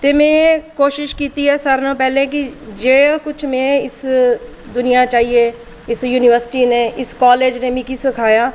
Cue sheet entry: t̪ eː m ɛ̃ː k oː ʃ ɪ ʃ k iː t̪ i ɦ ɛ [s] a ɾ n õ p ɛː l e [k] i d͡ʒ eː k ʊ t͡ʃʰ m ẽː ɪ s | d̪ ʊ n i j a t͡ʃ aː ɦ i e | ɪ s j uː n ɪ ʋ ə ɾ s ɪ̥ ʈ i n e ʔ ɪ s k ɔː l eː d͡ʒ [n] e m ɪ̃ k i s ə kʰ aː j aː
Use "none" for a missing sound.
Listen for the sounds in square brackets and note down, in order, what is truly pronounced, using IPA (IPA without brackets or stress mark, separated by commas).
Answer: s, k, n